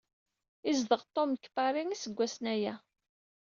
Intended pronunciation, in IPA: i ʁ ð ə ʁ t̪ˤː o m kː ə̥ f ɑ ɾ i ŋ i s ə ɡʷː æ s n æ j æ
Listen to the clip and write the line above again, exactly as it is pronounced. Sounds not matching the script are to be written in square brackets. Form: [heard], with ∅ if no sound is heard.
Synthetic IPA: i [z] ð ə ʁ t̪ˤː o m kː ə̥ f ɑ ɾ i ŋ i s ə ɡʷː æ s n æ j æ